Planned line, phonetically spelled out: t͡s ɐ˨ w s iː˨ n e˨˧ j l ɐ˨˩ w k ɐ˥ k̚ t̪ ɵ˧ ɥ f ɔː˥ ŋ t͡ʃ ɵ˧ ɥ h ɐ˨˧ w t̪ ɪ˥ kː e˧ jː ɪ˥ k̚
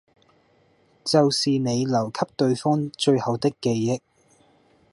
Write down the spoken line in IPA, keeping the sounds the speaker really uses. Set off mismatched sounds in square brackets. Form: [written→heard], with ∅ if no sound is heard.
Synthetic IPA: t͡s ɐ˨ w s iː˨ n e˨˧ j l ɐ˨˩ w [k→kʰ] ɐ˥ [k̚→p̚] t̪ ɵ˧ ɥ f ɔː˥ ŋ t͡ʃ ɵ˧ ɥ h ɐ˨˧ w t̪ ɪ˥ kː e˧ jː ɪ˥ k̚